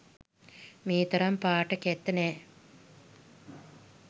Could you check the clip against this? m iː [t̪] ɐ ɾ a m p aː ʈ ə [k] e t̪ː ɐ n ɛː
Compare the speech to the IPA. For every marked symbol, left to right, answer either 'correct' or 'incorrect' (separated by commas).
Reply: correct, correct